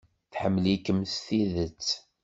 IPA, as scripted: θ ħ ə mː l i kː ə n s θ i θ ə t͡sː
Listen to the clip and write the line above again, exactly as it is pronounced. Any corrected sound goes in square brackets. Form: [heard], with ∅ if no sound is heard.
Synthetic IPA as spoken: θ ħ ə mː l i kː ə [m] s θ i [ð] ə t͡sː